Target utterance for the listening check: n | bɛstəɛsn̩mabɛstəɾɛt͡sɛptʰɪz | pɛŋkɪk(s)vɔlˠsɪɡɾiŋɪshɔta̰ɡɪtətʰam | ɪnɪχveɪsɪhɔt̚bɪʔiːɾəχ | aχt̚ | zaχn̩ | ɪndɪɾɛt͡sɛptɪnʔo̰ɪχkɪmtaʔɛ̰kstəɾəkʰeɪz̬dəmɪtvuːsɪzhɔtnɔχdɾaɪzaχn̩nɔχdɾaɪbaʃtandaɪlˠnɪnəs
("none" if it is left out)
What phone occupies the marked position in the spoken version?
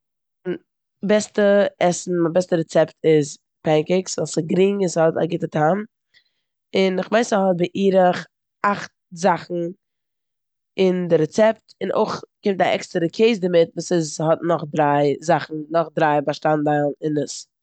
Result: s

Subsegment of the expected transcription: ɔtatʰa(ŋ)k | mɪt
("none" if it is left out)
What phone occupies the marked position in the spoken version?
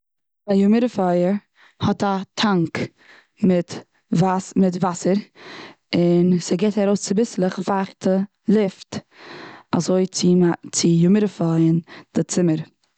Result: ŋ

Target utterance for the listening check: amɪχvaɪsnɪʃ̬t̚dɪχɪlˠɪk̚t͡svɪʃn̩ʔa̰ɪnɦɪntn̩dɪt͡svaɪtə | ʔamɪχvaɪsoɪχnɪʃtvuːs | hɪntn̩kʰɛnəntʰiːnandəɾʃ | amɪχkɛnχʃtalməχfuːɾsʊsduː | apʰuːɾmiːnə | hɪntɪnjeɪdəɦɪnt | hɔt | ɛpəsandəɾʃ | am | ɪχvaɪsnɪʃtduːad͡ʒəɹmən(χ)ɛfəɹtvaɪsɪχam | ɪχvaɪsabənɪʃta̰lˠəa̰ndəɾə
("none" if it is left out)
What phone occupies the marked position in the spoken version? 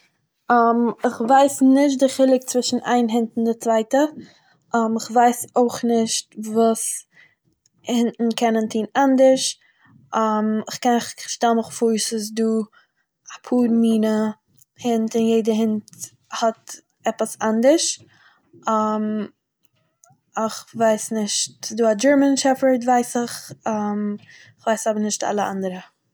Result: ʃ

